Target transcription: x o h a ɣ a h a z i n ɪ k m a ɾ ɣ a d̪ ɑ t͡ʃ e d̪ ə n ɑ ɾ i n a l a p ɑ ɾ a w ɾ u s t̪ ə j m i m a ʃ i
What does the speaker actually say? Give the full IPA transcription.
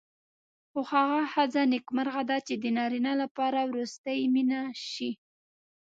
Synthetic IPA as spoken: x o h a ɣ a h a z a n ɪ k m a ɾ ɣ a d̪ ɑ t͡ʃ e d̪ ə n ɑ ɾ i n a l a p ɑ ɾ a w ɾ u s t̪ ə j m i n a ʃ i